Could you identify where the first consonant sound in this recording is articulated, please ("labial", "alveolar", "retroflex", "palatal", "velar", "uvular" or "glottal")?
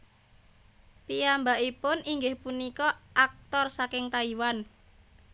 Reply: labial